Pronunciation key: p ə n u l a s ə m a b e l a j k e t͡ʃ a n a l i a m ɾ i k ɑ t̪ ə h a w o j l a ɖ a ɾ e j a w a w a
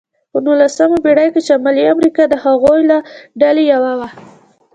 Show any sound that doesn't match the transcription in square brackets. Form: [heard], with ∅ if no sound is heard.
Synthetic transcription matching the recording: p ə n u l a s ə m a b e [ɽ] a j k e t͡ʃ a [m] a l i a m ɾ i k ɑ [d̪] ə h a [ɣ] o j l a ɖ a [l] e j a w a w a